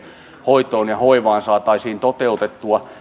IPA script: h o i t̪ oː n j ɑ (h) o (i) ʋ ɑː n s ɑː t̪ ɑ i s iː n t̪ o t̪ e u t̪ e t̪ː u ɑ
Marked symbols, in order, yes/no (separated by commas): yes, yes